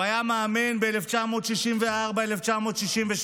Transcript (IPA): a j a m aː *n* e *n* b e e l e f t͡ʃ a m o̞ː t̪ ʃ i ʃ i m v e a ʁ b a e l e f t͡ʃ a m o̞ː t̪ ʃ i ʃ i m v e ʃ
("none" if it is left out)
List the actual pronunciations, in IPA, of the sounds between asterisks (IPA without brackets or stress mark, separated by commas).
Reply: m, n